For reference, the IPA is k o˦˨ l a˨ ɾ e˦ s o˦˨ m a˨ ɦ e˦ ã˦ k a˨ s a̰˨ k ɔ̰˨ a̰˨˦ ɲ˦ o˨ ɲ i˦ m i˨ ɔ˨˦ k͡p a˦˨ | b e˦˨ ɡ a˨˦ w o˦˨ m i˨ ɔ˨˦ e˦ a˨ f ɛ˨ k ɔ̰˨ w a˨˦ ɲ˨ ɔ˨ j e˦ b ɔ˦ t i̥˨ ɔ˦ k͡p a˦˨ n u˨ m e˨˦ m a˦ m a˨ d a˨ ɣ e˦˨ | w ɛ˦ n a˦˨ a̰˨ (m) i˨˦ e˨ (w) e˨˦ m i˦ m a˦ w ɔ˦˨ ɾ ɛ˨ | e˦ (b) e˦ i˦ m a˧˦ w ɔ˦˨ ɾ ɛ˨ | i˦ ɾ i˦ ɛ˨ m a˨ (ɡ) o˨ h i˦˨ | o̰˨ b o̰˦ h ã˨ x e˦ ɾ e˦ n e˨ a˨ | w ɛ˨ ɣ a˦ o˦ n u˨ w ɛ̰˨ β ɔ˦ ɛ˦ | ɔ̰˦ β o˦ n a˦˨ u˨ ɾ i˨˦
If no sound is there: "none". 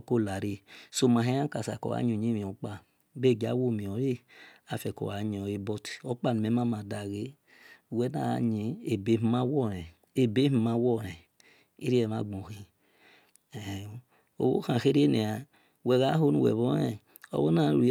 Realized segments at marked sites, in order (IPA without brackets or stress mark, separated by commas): ɲ, b, b, ɡ͡b